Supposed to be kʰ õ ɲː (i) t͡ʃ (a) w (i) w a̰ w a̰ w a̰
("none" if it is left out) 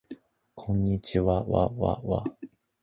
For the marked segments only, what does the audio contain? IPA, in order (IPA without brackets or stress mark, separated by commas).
i, i, a